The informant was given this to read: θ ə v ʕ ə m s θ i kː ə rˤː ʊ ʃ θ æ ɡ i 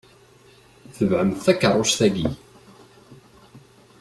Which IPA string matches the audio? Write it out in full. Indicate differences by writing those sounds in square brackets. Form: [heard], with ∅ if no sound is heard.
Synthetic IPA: θ ə v ʕ ə m [θ] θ [æ] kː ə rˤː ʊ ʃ θ æ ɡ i